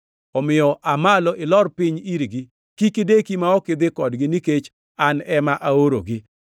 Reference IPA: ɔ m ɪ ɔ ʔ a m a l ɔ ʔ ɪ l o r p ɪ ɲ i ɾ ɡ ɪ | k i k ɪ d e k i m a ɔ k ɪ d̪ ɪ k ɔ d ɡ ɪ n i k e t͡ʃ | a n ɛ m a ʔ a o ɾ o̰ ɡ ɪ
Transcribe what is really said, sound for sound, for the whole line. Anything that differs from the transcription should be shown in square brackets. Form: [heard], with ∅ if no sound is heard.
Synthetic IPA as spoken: ɔ m ɪ ɔ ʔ a m a l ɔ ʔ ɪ l [ɔ] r p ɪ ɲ i ɾ ɡ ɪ | k i k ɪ d e k i m a ɔ k ɪ d̪ ɪ k ɔ d ɡ ɪ n i k e t͡ʃ | a n ɛ m a ʔ a o ɾ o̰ ɡ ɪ

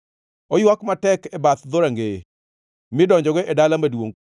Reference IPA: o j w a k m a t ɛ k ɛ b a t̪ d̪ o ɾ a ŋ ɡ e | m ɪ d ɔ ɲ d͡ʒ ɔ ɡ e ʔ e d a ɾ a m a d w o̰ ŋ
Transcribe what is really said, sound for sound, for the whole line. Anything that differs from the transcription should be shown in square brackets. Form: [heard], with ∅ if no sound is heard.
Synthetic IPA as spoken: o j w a k m a t ɛ k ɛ b a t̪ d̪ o ɾ a ŋ ɡ e | m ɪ d ɔ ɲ d͡ʒ ɔ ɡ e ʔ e d a [l] a m a d w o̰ ŋ

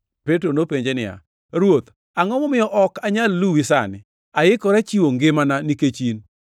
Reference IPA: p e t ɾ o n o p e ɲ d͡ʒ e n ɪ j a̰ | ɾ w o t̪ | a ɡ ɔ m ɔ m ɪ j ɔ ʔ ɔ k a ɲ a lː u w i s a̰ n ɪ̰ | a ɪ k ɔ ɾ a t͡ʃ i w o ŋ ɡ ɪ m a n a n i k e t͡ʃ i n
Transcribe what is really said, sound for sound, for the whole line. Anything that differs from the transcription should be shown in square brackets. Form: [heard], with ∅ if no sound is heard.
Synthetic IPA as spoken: p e t ɾ o n o p e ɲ d͡ʒ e n ɪ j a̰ | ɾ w o t̪ | a [ŋ] ɔ m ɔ m ɪ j ɔ ʔ ɔ k a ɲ a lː u w i s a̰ n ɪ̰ | a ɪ k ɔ ɾ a t͡ʃ i w o ŋ ɡ ɪ m a n a n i k e t͡ʃ i n

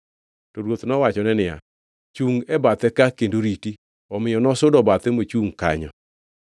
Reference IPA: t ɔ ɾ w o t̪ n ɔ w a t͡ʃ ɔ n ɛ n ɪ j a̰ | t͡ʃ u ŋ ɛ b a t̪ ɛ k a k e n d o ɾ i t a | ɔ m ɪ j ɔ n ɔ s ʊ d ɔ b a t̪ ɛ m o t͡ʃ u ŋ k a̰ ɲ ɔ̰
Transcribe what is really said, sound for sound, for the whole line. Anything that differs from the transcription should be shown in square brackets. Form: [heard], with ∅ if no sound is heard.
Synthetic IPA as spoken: t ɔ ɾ w o t̪ n ɔ w a t͡ʃ ɔ n ɛ n ɪ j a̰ | t͡ʃ u ŋ ɛ b a t̪ ɛ k a k e n d o ɾ i t [i] | ɔ m ɪ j ɔ n ɔ s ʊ d ɔ b a t̪ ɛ m o t͡ʃ u ŋ k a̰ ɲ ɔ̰

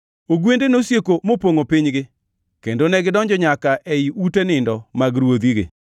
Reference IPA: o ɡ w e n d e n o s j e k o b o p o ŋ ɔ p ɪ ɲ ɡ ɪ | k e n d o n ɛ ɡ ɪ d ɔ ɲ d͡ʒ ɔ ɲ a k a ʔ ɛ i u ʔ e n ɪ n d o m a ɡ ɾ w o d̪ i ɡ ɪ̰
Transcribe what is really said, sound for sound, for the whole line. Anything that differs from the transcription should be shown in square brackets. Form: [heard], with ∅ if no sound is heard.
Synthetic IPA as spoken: o ɡ w e n d e n o s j e k o [m] o p o ŋ [o] p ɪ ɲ ɡ ɪ | k e n d o n ɛ ɡ ɪ d ɔ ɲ d͡ʒ ɔ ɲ a k a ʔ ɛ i u [t] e n ɪ n d [ɔ] m a ɡ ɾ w o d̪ i ɡ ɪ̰

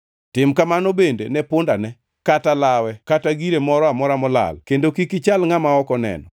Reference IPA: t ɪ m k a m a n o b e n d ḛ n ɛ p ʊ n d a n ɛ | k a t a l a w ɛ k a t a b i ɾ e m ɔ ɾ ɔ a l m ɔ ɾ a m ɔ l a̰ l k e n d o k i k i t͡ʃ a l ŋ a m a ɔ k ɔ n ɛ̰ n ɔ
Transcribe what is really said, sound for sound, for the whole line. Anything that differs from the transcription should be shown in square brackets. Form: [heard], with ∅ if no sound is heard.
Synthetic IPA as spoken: t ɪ m k a m a n o b e n d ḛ n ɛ p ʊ n d a n ɛ | k a t a l a w ɛ k a t a [ɡ] i ɾ e m ɔ ɾ ɔ a [∅] m ɔ ɾ a m ɔ l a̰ l k e n d o k i k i t͡ʃ a l ŋ a m a ɔ k ɔ n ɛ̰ n ɔ

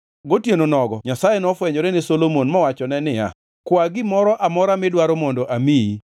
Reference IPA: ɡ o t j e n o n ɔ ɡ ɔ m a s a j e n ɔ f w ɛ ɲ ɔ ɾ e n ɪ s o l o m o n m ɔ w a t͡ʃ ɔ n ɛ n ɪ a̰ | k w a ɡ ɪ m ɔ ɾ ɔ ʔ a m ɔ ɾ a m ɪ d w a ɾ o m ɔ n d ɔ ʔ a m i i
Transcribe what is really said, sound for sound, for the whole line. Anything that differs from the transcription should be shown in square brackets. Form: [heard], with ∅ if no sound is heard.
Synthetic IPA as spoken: ɡ o t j e n o n ɔ ɡ ɔ [ɲ] a s a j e n ɔ f w ɛ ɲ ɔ ɾ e n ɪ s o l o m o n m ɔ w a t͡ʃ ɔ n ɛ n ɪ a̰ | k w a ɡ ɪ m ɔ ɾ ɔ ʔ a m ɔ ɾ a m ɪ d w a ɾ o m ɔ n d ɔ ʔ a m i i

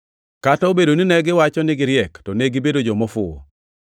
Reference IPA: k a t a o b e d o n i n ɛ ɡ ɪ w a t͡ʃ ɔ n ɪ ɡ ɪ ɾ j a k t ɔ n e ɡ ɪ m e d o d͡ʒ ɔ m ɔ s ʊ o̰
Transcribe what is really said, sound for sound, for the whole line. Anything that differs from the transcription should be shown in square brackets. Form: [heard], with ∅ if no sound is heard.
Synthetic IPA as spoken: k a t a o b e d o n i n ɛ ɡ ɪ w a t͡ʃ ɔ n ɪ ɡ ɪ ɾ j [ɛ] k t ɔ n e ɡ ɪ [b] e d o d͡ʒ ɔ m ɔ [f] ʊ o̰

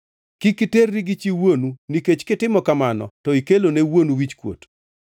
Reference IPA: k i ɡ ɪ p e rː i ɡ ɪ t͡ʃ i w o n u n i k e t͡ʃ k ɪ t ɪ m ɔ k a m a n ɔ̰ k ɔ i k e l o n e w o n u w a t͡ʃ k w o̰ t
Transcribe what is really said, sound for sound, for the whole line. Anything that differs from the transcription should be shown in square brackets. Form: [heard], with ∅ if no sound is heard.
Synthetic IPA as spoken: k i [k] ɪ [t] e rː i ɡ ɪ t͡ʃ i w o n u n i k e t͡ʃ k ɪ t ɪ m ɔ k a m a n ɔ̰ [t] ɔ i k e l o n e w o n u w [i] t͡ʃ k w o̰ t

